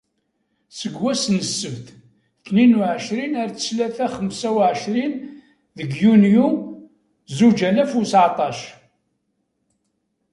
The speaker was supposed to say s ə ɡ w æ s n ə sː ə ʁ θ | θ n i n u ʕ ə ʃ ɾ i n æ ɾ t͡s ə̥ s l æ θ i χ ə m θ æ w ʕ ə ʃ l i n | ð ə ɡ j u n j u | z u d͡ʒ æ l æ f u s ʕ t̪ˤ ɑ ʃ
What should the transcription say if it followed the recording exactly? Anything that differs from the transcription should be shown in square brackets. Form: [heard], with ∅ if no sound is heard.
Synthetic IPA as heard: s ə ɡ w æ s n ə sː ə [v] θ | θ n i n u ʕ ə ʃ ɾ i n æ ɾ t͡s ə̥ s l æ θ [æ] χ ə m [s] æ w ʕ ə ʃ [ɾ] i n | ð ə ɡ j u n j u | z u d͡ʒ æ l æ f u s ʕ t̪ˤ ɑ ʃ